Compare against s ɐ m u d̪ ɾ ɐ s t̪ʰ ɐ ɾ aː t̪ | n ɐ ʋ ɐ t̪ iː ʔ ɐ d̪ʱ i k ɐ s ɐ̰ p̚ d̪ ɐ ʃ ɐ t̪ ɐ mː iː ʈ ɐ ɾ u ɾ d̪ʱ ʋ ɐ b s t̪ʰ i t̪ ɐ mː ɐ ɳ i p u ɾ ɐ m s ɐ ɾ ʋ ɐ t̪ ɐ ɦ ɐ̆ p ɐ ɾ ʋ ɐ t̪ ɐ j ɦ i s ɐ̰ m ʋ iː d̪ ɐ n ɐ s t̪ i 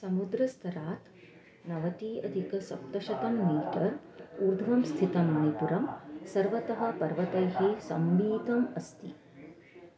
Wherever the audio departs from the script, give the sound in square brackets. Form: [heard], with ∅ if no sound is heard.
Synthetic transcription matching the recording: s ɐ m u d̪ ɾ ɐ s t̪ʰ ɐ ɾ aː t̪ | n ɐ ʋ ɐ t̪ iː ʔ ɐ d̪ʱ i k ɐ s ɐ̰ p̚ [t̪] ɐ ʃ ɐ t̪ ɐ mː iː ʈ ɐ ɾ u ɾ d̪ʱ ʋ ɐ [m] s t̪ʰ i t̪ ɐ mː ɐ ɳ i p u ɾ ɐ m s ɐ ɾ ʋ ɐ t̪ ɐ ɦ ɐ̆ p ɐ ɾ ʋ ɐ t̪ ɐ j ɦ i s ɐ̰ m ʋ iː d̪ ɐ [m] ɐ s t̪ i